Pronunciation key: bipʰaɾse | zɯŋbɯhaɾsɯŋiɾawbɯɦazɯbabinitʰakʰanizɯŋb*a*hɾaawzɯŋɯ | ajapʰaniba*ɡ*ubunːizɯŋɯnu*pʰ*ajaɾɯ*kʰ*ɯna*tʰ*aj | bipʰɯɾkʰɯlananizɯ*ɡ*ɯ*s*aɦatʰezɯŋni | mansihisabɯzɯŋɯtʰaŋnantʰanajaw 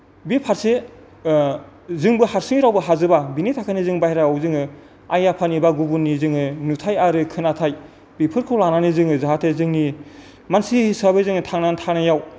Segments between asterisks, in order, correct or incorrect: correct, correct, incorrect, correct, correct, incorrect, incorrect

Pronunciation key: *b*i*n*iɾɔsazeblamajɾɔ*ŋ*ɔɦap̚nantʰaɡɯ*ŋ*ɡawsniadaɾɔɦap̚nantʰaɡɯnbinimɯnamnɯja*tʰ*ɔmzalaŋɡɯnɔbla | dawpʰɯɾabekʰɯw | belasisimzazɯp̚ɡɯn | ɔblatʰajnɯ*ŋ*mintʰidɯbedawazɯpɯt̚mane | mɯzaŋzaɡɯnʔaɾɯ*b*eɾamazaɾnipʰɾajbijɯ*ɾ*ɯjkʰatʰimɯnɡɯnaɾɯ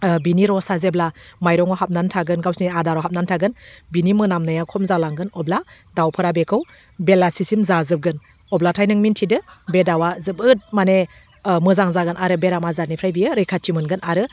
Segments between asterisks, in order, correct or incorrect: correct, correct, correct, incorrect, incorrect, correct, correct, correct

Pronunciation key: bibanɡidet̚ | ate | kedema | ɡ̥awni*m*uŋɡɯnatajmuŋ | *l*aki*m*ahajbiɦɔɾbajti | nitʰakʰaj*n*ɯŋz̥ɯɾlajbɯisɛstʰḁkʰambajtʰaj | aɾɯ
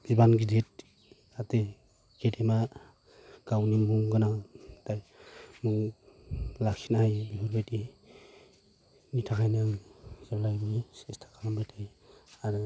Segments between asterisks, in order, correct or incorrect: correct, correct, incorrect, correct

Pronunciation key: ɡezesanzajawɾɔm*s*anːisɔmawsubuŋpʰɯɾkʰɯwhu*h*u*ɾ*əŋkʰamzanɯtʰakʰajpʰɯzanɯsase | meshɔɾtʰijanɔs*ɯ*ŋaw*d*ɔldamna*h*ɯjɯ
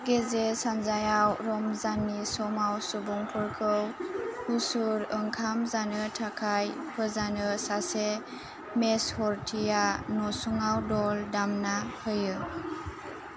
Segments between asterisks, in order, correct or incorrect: incorrect, incorrect, correct, incorrect, correct, correct

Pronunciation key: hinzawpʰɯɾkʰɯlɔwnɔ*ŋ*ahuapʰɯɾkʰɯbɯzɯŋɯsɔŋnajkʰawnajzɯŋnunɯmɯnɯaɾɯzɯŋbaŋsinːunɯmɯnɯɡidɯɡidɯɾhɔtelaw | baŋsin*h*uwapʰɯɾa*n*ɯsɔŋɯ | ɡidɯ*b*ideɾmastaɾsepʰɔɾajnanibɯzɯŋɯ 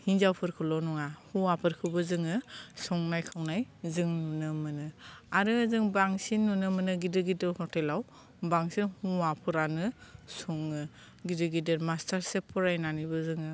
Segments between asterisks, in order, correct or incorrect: correct, correct, correct, incorrect

